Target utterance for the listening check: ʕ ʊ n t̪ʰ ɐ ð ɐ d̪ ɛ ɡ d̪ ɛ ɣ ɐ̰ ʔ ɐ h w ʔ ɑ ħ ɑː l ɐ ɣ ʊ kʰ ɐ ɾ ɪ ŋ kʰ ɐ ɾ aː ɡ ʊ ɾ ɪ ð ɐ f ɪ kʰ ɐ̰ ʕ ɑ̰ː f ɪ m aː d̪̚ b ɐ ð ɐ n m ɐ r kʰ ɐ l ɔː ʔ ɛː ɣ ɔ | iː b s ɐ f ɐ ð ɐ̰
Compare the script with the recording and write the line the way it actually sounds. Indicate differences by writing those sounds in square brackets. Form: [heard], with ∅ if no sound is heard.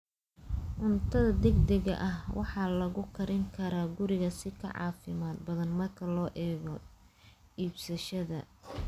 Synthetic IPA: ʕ ʊ n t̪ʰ ɐ ð ɐ d̪ ɛ ɡ d̪ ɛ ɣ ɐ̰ ʔ ɐ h w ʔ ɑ ħ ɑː l ɐ ɣ ʊ kʰ ɐ ɾ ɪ ŋ kʰ ɐ ɾ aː ɡ ʊ ɾ ɪ [ɣ] ɐ [s] ɪ kʰ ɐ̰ ʕ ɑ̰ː f ɪ m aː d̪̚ b ɐ ð ɐ n m ɐ r kʰ ɐ l ɔː ʔ ɛː ɣ ɔ | iː b s ɐ [ʃ] ɐ ð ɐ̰